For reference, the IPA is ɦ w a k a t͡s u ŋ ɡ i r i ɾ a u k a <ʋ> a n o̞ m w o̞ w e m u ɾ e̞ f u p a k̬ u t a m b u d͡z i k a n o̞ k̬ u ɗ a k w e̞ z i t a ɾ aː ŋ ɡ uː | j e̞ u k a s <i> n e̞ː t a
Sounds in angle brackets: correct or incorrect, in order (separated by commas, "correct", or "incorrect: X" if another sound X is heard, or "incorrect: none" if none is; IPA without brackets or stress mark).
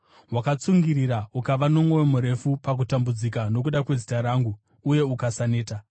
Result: correct, incorrect: a